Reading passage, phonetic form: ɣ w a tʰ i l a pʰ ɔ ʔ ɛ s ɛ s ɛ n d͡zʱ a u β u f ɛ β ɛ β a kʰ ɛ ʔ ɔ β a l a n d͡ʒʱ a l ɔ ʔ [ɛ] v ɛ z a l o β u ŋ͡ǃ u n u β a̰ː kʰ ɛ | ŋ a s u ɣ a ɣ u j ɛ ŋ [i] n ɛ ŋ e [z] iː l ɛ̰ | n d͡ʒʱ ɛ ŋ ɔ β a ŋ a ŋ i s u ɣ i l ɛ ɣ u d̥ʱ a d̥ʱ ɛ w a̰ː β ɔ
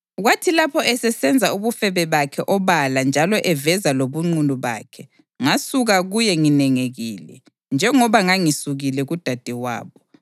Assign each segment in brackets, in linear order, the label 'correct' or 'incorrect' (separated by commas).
correct, correct, incorrect